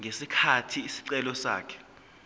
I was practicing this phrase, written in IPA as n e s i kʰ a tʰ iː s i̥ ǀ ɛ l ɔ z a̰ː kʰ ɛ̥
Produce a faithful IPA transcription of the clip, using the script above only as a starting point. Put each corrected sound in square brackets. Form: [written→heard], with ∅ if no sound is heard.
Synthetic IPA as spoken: [n→ŋ] e s i kʰ a tʰ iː s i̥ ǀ ɛ l ɔ [z→s] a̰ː kʰ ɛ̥